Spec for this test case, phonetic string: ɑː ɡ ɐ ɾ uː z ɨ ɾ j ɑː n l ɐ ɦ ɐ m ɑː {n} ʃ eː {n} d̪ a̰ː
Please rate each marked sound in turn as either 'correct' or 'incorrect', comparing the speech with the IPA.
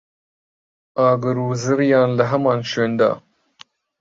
correct, correct

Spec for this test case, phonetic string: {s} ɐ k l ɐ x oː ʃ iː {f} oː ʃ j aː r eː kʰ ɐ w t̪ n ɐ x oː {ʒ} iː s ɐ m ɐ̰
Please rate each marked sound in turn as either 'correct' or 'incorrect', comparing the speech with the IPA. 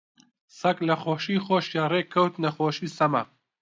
correct, incorrect: x, incorrect: ʃ

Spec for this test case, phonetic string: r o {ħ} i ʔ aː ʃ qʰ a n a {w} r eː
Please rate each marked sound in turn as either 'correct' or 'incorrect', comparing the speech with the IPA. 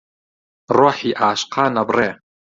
correct, incorrect: b

